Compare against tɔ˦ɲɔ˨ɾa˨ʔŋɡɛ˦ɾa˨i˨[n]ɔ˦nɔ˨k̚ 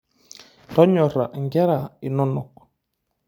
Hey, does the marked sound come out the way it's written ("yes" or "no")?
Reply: yes